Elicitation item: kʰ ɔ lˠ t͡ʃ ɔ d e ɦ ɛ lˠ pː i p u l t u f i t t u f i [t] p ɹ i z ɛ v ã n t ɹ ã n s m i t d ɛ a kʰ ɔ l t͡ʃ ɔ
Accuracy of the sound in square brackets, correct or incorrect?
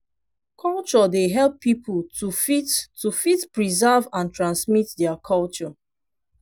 correct